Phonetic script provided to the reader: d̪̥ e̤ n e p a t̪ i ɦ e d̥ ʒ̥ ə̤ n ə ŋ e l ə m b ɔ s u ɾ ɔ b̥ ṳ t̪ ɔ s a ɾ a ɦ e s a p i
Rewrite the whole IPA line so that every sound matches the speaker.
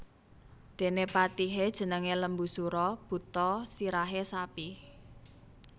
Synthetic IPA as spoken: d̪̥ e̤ n e p a t̪ i ɦ e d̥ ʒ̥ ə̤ n ə ŋ e l ə m b u s u ɾ ɔ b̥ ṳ t̪ ɔ s i ɾ a ɦ e s a p i